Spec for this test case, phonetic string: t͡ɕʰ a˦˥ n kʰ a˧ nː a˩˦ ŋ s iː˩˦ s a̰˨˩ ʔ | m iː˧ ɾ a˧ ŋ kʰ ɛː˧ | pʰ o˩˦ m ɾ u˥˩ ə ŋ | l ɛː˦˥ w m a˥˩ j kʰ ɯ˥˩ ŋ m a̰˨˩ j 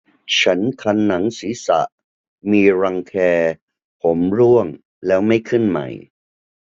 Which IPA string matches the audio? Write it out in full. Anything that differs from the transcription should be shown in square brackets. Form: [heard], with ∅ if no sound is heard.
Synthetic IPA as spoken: t͡ɕʰ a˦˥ n kʰ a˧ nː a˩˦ ŋ s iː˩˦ s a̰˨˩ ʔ | m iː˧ ɾ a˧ ŋ kʰ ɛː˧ | pʰ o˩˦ m ɾ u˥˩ ə ŋ | l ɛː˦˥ w m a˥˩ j kʰ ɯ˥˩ [n] m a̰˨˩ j